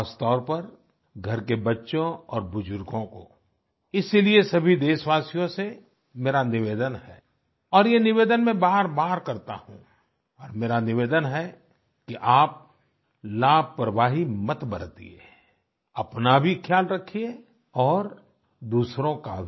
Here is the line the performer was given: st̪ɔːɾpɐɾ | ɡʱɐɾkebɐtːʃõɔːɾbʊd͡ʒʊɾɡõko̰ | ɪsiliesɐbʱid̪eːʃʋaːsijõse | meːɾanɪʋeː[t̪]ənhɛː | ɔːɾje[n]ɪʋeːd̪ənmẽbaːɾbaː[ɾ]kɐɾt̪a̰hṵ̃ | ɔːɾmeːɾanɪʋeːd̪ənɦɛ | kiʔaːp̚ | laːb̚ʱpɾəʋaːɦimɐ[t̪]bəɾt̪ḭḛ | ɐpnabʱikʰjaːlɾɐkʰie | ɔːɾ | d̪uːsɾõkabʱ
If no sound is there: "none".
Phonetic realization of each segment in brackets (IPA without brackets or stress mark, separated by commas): d̪, n, ɾ, t̪